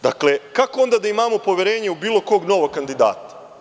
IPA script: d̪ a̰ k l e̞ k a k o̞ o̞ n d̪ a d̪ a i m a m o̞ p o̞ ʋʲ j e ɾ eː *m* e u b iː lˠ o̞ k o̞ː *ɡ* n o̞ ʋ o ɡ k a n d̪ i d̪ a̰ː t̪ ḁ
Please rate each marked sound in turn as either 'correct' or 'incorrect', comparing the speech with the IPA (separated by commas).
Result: incorrect, correct